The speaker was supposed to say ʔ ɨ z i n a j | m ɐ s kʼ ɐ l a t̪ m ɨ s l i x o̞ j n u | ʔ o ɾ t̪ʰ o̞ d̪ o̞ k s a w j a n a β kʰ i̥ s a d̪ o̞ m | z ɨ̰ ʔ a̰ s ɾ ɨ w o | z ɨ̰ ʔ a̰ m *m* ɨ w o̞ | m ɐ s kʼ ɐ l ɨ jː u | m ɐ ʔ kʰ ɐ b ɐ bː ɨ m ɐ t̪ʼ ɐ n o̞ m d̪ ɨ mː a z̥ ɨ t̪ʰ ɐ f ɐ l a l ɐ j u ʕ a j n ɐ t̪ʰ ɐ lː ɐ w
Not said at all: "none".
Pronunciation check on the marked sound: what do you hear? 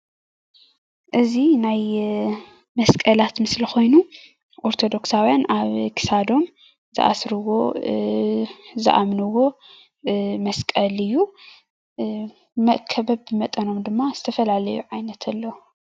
n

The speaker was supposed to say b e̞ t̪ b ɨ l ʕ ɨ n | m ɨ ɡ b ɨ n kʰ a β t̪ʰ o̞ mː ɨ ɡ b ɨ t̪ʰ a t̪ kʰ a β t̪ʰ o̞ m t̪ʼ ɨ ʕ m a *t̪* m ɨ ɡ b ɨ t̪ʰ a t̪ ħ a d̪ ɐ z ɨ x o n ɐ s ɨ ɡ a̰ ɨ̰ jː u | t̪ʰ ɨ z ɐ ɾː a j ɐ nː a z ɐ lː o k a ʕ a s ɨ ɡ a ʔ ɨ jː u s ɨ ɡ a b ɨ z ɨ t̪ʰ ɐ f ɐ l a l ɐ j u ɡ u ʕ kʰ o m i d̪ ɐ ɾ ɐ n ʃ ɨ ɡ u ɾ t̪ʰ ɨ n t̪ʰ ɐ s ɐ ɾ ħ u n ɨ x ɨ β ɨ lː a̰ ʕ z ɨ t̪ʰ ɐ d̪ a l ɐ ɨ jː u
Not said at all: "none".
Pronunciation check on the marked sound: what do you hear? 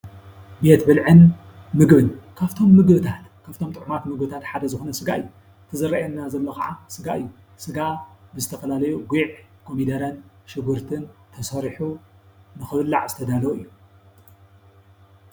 t̪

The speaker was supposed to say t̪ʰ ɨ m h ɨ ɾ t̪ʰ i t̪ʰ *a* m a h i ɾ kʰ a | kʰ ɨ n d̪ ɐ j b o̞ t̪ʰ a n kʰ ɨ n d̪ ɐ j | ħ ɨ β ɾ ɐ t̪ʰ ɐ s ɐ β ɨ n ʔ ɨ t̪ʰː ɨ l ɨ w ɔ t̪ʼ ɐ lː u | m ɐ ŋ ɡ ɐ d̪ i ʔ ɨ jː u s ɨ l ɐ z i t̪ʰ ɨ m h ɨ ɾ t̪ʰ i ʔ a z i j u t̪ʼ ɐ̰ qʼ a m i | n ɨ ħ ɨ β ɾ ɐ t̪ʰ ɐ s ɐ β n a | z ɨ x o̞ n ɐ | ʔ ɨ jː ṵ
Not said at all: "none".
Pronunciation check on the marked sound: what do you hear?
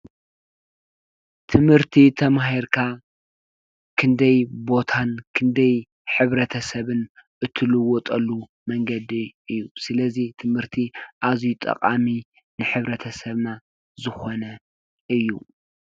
ɐ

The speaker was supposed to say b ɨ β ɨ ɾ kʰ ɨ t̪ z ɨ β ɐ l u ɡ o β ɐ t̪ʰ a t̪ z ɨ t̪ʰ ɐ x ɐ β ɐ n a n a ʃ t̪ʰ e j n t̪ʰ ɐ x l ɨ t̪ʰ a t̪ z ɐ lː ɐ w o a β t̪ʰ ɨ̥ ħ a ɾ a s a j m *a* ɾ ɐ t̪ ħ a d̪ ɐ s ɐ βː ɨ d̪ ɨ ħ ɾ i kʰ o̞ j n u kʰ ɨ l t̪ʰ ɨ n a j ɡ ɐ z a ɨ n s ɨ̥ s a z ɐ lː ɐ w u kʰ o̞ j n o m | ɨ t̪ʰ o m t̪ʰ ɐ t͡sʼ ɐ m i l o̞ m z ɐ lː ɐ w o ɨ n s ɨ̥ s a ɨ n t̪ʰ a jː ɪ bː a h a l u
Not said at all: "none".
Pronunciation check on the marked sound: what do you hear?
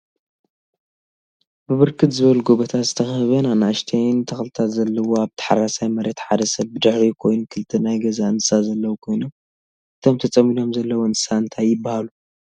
ɐ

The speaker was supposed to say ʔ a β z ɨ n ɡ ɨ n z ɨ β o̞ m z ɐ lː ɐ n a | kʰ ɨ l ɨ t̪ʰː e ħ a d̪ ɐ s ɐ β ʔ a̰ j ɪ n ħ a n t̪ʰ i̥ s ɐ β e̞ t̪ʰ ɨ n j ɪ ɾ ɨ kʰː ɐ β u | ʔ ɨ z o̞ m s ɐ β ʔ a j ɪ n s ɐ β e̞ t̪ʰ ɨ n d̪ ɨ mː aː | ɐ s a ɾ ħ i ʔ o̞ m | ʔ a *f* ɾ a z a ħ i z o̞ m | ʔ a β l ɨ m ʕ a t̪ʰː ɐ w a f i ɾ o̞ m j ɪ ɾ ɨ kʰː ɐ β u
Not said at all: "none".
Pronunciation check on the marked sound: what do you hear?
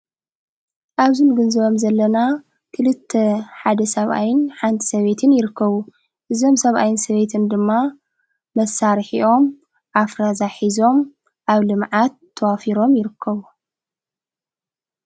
f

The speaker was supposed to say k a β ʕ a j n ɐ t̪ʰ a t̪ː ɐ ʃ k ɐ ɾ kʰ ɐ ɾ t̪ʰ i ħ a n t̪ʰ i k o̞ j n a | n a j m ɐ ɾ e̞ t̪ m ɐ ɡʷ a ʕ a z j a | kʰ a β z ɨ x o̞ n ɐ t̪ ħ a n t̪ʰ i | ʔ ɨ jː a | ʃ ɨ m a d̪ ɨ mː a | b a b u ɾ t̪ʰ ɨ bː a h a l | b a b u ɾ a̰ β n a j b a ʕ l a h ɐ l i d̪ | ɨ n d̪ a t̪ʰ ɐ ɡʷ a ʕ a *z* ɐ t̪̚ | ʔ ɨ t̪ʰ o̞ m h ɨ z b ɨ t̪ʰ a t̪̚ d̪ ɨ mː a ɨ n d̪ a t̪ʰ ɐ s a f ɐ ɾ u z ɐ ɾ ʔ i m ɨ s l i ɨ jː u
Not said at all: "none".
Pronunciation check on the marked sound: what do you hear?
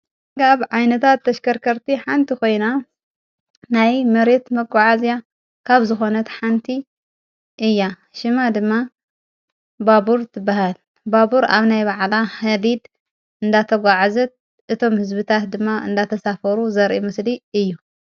z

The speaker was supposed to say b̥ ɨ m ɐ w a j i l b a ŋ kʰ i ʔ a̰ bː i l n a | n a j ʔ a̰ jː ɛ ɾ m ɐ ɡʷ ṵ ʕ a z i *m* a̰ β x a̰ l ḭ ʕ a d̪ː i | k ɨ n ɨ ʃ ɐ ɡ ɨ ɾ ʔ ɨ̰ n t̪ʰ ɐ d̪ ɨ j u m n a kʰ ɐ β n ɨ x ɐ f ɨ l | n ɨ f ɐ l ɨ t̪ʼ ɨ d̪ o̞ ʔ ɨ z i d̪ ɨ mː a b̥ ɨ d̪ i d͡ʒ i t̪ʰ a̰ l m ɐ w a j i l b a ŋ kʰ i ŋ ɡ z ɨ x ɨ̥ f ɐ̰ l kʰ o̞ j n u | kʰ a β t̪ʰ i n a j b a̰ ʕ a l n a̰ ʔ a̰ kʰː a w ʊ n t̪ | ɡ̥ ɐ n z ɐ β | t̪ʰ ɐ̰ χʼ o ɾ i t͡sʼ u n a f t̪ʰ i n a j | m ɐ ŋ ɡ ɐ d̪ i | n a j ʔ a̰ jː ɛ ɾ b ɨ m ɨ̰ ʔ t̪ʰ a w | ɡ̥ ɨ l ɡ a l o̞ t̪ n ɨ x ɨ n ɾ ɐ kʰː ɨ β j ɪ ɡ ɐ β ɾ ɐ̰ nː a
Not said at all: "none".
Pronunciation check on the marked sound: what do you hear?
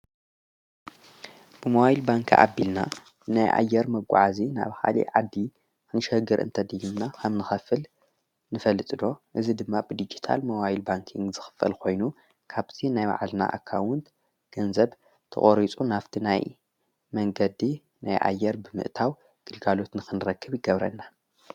n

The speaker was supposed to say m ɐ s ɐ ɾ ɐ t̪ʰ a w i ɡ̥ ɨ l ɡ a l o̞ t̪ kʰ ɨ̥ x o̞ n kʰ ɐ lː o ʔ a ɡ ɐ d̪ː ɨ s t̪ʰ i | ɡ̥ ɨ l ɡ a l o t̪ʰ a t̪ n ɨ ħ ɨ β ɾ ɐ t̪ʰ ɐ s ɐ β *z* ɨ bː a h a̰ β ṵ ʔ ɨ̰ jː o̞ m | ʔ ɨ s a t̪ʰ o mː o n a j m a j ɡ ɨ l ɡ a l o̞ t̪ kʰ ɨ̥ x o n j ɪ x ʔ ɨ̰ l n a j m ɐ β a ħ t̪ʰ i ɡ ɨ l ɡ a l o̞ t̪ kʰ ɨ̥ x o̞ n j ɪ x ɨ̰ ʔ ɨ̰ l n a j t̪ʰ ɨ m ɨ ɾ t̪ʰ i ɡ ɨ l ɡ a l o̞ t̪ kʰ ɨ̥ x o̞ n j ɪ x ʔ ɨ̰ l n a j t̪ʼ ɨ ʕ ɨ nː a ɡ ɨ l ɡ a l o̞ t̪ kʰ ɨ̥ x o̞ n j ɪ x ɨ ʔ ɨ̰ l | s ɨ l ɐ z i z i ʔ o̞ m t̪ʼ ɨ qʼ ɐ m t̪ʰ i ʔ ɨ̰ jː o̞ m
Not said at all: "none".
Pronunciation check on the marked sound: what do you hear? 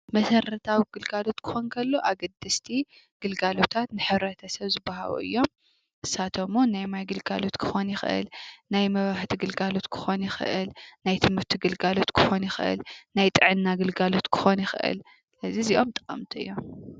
z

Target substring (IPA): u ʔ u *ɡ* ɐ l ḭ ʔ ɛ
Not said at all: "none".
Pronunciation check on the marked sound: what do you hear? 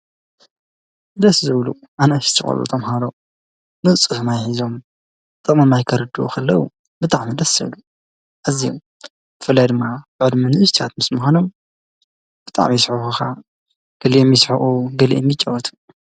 ɡ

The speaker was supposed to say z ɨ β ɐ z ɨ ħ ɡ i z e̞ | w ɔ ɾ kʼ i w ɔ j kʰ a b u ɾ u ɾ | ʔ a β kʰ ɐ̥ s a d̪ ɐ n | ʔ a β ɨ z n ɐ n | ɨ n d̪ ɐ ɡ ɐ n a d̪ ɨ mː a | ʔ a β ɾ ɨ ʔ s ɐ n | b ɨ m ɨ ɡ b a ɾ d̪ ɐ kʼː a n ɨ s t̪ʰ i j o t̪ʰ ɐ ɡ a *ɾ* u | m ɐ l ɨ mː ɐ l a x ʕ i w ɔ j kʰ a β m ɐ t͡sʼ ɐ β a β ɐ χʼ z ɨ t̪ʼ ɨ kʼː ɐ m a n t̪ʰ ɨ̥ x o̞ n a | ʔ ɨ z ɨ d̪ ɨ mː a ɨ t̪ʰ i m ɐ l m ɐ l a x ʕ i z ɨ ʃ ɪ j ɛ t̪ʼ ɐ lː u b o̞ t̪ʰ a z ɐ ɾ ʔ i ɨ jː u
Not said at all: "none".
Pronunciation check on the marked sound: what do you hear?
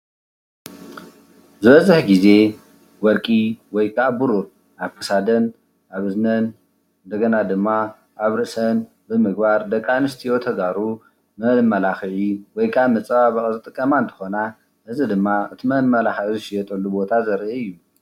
ɾ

